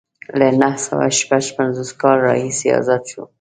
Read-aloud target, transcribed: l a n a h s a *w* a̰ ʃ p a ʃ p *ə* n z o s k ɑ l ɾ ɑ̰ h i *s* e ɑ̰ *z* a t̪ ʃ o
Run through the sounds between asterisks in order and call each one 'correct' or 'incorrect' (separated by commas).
correct, incorrect, correct, correct